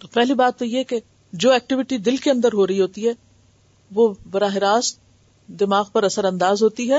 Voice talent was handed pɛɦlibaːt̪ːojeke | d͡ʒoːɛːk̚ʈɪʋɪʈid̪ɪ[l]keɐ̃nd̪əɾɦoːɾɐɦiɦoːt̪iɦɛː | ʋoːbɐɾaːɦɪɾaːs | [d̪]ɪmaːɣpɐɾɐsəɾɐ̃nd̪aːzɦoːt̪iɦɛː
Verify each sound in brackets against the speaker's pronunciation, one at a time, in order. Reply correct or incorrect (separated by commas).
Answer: correct, correct